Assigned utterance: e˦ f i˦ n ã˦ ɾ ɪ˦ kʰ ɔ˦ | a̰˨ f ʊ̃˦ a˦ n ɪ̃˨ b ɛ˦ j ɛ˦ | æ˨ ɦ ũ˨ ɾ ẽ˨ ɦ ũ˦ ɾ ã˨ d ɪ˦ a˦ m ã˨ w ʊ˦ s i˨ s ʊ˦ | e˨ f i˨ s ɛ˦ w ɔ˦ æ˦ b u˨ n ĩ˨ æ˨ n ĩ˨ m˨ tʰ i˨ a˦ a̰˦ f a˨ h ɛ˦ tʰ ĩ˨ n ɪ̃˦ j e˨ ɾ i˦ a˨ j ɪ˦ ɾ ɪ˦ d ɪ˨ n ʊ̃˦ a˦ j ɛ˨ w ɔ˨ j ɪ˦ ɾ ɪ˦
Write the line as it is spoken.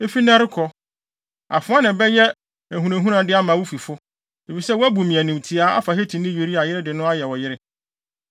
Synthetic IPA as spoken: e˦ f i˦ n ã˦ ɾ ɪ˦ kʰ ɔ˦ | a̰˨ f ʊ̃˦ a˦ n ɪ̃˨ b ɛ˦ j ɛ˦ | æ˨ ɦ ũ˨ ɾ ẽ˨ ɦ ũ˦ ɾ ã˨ d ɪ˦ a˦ m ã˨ w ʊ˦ f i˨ f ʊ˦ | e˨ f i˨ s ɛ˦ w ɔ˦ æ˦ b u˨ m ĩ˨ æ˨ n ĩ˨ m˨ tʰ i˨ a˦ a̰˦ f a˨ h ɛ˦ tʰ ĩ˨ n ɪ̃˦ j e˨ ɾ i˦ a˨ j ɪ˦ ɾ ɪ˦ d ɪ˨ n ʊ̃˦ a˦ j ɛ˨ w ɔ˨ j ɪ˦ ɾ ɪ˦